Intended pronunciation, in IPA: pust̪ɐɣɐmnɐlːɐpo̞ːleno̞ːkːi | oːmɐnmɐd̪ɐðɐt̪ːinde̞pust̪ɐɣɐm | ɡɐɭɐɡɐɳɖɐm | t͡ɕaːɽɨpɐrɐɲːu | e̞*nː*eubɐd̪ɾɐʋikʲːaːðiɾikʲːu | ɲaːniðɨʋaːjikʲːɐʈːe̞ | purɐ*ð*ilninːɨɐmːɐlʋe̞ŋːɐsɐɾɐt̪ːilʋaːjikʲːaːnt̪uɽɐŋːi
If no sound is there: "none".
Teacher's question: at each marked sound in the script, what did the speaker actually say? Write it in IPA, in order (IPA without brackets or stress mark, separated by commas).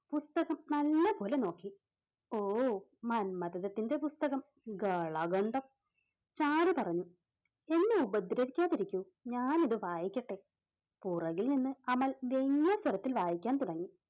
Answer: nː, ɣ